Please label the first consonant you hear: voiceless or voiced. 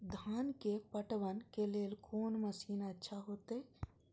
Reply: voiced